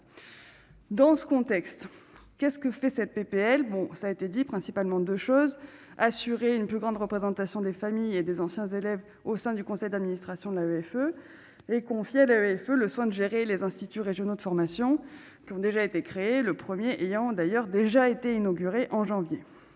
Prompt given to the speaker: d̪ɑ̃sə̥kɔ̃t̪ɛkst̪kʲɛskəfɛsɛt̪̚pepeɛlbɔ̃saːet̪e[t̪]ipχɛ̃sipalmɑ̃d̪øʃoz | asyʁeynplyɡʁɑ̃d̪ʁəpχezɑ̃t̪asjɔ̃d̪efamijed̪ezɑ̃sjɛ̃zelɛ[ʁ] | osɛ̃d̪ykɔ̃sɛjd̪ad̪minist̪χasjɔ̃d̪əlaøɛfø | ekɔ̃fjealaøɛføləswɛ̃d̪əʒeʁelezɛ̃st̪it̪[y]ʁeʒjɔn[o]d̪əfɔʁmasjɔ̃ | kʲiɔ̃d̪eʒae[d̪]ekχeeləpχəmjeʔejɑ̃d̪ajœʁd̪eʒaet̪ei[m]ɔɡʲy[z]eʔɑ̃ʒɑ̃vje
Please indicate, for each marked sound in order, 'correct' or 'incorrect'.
incorrect, incorrect, correct, correct, incorrect, incorrect, incorrect

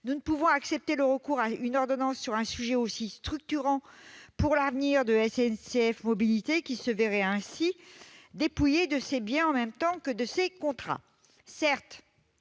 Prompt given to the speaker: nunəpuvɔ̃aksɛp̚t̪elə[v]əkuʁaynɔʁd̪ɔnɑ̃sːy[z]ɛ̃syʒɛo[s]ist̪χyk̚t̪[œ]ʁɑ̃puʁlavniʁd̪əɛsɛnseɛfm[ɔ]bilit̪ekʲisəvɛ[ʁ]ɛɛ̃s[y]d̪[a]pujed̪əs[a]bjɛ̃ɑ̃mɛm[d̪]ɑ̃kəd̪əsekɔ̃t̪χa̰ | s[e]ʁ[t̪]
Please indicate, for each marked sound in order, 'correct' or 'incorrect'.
incorrect, incorrect, correct, incorrect, correct, correct, incorrect, incorrect, incorrect, incorrect, incorrect, correct

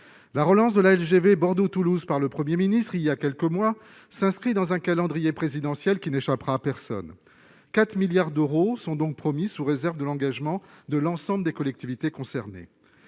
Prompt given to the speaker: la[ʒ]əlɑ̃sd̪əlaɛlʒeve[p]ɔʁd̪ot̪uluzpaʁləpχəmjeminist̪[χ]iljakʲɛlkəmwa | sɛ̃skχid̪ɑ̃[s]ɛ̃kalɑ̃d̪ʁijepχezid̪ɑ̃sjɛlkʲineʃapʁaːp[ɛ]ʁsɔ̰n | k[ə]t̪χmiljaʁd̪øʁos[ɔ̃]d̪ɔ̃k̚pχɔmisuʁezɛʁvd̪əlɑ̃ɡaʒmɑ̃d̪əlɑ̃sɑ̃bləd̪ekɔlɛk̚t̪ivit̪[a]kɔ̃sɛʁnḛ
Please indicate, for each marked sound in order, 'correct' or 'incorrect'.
incorrect, incorrect, correct, incorrect, correct, incorrect, correct, incorrect

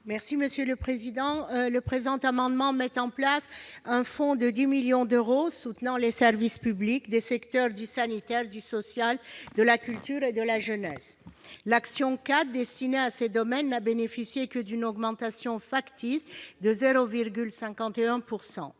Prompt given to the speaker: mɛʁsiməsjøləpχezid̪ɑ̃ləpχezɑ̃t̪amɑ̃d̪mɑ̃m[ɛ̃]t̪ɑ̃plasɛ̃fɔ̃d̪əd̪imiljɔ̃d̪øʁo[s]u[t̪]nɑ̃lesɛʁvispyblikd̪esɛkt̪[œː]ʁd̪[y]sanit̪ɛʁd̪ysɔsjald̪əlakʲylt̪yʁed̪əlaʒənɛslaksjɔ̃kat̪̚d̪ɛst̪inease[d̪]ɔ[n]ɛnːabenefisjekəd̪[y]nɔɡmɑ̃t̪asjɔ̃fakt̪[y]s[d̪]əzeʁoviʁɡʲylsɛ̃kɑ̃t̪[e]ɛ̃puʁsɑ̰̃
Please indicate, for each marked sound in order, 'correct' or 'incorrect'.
incorrect, correct, correct, incorrect, correct, correct, incorrect, correct, incorrect, correct, correct

